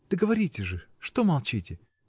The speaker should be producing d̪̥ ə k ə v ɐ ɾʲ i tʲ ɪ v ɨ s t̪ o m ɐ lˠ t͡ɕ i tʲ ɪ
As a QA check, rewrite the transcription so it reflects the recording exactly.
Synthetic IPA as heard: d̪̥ ə ɡ ə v ɐ ɾʲ i tʲ ɪ ʐ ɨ ʂ t̪ o m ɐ lˠ t͡ɕ i tʲ ɪ